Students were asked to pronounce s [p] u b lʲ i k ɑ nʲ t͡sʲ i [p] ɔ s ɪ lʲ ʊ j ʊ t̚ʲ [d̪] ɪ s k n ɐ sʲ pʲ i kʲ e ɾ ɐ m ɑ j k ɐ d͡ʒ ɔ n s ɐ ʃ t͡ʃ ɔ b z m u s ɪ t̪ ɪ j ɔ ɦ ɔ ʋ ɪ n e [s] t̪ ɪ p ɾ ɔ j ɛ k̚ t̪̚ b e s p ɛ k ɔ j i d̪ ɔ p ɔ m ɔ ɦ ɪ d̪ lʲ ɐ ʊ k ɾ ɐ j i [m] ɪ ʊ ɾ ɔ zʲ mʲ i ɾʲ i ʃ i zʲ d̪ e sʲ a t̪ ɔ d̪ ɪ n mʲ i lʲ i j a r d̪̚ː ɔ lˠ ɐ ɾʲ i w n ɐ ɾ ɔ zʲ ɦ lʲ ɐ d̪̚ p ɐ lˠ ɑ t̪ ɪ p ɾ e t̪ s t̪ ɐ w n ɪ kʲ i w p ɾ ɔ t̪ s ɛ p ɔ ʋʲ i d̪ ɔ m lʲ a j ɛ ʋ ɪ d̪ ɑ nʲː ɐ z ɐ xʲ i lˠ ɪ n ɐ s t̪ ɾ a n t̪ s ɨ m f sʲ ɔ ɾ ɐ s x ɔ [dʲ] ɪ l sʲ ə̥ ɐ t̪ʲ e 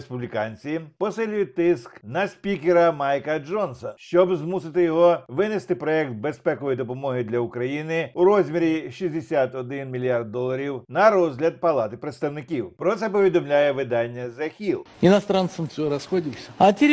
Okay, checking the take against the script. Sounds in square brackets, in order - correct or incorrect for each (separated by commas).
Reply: correct, correct, incorrect, correct, incorrect, correct